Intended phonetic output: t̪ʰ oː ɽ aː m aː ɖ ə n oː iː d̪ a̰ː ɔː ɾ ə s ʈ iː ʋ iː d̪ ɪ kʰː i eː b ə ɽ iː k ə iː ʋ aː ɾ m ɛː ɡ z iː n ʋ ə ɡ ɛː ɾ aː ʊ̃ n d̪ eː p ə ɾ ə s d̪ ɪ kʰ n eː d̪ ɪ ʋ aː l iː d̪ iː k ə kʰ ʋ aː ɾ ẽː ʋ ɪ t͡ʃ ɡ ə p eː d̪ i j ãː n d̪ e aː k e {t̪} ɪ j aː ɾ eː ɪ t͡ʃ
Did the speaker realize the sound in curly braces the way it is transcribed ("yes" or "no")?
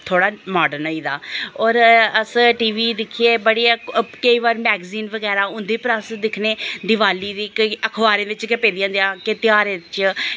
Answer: yes